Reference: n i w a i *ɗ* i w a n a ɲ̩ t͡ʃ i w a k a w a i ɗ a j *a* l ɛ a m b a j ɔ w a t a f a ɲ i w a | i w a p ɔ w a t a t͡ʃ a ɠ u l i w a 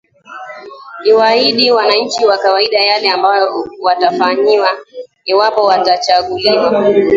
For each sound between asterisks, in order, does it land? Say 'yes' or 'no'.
yes, yes

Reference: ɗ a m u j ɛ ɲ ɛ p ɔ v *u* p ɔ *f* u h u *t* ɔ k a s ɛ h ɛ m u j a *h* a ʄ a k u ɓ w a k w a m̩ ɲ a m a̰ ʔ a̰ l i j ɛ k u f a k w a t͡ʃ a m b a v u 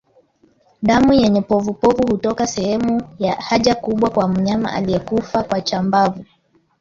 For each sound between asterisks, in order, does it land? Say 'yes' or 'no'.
yes, no, yes, yes

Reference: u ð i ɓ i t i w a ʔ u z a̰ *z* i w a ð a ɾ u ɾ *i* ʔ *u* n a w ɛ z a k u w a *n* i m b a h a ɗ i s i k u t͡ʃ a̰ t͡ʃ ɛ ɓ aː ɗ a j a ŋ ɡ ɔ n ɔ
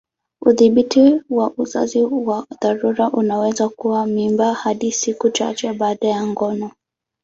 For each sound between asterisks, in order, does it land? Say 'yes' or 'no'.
yes, no, yes, no

